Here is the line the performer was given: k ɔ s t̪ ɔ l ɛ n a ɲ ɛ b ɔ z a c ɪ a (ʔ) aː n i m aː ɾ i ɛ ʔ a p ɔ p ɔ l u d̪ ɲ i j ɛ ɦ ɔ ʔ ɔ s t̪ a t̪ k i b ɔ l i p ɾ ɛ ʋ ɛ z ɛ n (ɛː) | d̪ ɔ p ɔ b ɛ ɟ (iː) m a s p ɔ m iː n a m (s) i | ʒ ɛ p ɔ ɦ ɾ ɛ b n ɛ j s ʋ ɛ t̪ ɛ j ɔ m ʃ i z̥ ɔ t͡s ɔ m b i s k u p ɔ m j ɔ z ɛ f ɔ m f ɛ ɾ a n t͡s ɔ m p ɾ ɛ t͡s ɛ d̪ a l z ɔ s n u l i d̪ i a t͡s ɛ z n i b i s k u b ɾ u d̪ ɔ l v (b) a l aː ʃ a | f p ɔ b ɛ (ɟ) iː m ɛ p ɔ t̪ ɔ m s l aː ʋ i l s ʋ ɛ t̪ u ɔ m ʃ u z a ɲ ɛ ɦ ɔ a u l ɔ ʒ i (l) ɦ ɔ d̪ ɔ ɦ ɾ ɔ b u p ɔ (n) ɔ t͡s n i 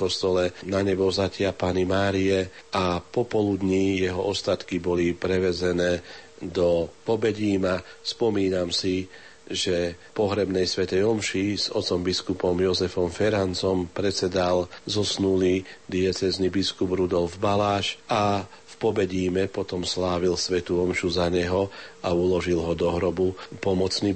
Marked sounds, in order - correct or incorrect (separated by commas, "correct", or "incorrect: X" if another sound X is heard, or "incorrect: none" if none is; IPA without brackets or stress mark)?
incorrect: p, correct, correct, correct, correct, correct, correct, incorrect: m